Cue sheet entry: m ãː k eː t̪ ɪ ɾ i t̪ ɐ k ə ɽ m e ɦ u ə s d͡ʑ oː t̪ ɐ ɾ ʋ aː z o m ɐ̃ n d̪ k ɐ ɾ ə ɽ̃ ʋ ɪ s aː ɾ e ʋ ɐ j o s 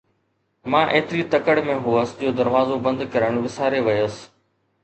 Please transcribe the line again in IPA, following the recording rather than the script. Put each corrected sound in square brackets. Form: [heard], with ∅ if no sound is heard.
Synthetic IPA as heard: m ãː [ʔ] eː t̪ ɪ ɾ i t̪ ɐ k ə ɽ m [ẽ] ɦ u ə s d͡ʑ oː [d̪] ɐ ɾ ʋ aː z o [b] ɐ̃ n d̪ k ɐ ɾ ə ɽ̃ ʋ ɪ s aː ɾ e ʋ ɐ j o s